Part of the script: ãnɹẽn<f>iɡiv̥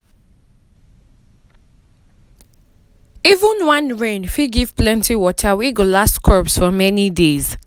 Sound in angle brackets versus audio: correct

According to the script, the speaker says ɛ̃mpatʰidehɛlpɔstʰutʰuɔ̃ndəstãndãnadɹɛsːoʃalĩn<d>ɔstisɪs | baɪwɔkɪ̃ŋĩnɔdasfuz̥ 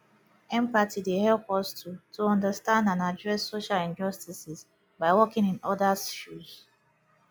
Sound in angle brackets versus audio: incorrect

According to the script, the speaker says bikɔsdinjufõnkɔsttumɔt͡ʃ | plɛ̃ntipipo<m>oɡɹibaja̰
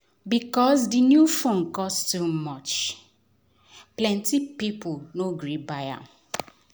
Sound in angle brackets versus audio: incorrect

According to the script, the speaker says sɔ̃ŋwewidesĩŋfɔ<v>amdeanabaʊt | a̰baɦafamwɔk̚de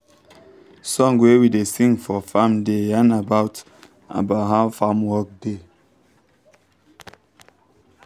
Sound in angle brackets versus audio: incorrect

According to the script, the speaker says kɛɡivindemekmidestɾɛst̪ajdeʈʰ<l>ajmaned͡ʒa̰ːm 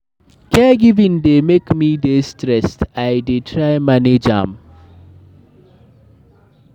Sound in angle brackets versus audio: incorrect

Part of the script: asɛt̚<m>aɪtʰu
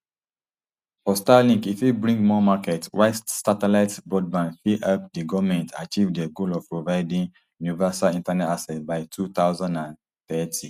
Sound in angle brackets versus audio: incorrect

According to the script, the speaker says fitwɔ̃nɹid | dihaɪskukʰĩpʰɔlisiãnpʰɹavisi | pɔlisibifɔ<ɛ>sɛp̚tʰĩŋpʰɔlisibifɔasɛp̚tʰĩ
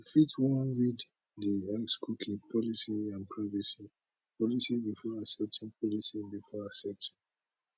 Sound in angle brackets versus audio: incorrect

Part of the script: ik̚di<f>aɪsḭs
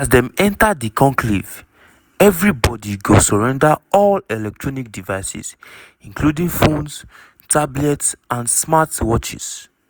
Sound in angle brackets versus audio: incorrect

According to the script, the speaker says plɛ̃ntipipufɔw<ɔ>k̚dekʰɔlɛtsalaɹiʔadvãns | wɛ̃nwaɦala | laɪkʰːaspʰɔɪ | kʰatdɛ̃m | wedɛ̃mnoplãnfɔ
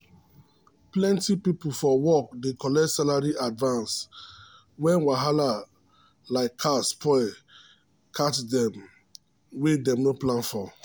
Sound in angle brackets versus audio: correct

